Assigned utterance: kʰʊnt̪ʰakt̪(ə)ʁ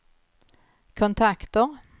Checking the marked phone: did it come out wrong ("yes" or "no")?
no